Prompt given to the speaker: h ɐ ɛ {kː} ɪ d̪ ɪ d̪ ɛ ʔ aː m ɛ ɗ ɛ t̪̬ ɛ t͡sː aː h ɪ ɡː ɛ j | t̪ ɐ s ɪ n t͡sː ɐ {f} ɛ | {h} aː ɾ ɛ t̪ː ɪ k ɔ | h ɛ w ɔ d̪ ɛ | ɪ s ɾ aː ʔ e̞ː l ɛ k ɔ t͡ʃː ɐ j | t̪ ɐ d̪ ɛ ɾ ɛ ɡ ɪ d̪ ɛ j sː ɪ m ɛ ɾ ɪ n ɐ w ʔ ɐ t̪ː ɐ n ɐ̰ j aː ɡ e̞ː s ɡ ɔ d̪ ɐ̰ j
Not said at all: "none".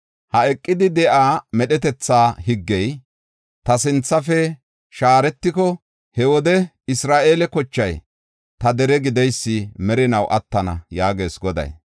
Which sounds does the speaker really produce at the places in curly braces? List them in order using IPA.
kʼː, f, ʃ

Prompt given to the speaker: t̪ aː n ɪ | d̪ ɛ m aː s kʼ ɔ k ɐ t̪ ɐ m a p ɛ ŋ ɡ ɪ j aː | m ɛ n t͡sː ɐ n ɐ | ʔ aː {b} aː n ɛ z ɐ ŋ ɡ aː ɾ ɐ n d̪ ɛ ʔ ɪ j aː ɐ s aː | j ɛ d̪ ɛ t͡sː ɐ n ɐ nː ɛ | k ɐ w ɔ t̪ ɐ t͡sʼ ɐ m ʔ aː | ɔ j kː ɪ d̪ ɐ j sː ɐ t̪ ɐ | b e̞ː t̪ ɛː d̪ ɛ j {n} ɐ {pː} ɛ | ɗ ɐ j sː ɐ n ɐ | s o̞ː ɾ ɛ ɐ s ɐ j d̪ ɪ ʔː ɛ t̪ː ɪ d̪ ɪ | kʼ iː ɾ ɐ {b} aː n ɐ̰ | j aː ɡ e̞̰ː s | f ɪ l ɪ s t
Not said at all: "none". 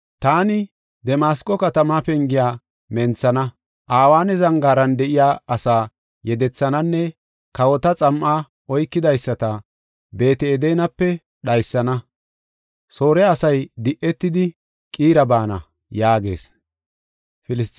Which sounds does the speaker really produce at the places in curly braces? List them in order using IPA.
w, n, pː, b

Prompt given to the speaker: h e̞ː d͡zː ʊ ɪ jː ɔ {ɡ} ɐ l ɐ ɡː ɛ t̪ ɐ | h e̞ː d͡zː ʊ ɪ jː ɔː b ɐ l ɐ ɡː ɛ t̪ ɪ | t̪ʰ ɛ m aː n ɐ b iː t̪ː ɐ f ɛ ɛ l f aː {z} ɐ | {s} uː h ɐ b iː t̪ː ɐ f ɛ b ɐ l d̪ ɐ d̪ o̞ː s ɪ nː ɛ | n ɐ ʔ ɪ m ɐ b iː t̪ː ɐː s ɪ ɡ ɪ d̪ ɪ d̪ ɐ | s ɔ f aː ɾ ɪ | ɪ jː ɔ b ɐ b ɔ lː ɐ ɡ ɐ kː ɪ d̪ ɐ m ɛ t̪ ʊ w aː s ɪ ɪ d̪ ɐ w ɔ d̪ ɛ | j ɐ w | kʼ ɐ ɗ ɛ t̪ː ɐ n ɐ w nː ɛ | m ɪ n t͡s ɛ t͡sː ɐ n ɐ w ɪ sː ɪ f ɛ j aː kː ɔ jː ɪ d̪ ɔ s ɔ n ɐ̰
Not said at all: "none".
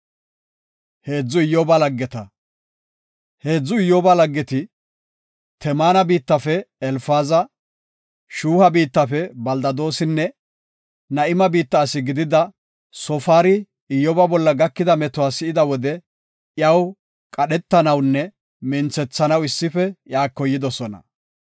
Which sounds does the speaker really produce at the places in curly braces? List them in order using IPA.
b, z, ʃ

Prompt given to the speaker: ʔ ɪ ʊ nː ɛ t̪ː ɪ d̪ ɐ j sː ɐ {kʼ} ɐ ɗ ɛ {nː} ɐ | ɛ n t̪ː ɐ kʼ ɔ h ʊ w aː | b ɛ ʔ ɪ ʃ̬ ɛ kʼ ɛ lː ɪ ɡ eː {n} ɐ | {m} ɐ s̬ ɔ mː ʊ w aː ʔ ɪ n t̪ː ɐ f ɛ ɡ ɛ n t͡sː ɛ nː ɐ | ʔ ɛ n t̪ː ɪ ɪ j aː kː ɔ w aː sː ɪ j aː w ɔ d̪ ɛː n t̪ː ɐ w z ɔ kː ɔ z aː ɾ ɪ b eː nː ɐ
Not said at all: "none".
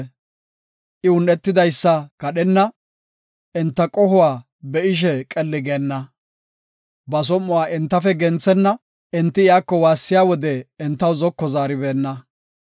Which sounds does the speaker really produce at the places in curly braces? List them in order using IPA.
k, nː, nː, b

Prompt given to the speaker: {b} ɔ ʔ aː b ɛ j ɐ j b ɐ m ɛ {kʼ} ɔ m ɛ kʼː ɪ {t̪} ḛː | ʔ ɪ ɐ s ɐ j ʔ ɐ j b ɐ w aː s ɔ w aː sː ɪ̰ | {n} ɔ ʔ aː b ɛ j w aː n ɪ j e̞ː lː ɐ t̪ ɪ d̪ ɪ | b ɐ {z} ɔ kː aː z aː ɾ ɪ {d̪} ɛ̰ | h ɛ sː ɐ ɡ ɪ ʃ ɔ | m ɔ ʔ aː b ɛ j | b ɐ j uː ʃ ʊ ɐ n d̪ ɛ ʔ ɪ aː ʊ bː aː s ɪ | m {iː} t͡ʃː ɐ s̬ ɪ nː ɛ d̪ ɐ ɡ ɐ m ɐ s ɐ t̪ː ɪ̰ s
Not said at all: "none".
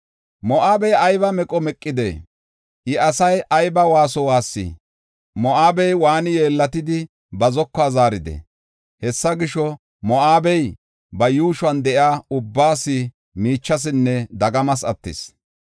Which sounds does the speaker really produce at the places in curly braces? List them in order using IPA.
m, kʼ, d̪, m, z, d̪, iː

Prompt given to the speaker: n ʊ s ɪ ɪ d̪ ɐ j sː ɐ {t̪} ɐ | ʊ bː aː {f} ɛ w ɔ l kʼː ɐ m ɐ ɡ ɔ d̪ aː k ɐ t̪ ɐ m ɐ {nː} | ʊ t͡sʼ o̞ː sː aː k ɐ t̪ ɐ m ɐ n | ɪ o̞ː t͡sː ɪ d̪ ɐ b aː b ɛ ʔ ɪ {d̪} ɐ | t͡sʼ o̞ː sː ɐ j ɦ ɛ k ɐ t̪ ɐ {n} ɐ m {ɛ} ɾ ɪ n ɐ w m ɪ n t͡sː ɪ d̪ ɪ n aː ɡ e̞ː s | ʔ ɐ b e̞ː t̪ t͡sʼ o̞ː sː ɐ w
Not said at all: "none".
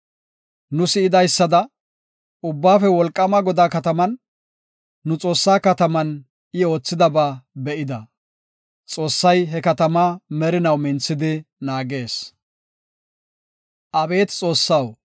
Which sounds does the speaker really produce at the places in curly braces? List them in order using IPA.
d̪, f, nː, d̪, m, ɛ

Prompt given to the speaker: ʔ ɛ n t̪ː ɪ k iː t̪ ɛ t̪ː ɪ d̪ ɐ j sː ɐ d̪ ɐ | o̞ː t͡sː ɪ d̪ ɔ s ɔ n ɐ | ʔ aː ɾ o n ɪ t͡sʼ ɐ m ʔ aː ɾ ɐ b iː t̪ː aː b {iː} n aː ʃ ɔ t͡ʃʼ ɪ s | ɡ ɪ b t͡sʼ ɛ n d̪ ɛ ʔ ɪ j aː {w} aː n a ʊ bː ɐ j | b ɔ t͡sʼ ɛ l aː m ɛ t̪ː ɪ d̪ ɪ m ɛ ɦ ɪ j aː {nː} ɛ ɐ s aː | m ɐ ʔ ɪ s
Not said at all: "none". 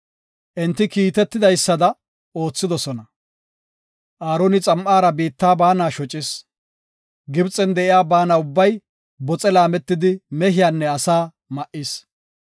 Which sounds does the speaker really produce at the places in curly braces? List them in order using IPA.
aː, b, nː

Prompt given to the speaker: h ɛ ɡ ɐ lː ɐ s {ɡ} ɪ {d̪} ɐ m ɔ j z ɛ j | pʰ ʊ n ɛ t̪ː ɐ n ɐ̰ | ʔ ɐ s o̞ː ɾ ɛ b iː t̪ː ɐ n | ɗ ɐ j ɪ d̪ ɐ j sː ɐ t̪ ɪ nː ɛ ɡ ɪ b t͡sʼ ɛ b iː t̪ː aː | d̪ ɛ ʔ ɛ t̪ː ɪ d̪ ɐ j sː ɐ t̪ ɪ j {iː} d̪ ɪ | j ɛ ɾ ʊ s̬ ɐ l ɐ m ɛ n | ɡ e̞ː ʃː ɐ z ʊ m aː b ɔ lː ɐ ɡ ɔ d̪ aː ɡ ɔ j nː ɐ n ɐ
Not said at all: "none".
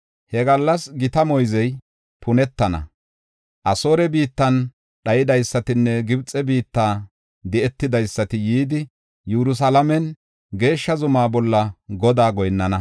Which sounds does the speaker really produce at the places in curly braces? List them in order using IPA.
ɡ, t̪, iː

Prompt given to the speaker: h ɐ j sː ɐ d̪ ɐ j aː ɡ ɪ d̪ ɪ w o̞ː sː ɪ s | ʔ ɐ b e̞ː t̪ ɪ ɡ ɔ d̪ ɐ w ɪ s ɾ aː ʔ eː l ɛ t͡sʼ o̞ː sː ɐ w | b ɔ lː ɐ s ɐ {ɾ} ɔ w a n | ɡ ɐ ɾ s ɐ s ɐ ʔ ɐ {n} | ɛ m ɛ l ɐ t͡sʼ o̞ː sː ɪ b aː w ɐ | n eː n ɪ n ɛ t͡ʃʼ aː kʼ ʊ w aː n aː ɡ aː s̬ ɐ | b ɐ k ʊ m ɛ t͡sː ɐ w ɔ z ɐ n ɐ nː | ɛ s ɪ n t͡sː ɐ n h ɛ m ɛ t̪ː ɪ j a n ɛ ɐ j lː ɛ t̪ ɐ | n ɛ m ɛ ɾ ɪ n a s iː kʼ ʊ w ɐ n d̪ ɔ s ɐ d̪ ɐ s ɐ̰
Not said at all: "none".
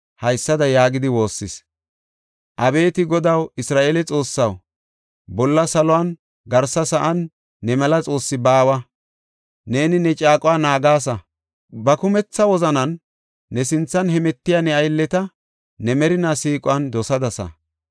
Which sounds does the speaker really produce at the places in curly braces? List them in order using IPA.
l, nː

